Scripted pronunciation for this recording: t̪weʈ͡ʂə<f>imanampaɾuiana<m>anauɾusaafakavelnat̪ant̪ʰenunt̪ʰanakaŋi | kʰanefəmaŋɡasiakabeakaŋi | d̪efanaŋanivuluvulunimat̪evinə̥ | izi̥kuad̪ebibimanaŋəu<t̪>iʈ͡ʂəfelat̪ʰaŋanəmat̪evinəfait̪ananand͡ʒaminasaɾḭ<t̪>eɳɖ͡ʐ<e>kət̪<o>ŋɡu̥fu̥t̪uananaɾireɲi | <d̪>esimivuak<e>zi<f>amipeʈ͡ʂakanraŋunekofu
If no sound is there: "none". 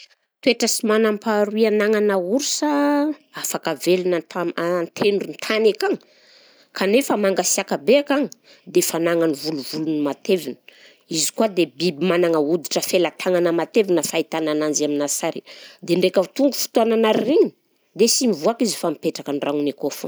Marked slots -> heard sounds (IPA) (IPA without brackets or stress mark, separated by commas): s, ŋ, d̪, d̪, e, u, d̪, i, f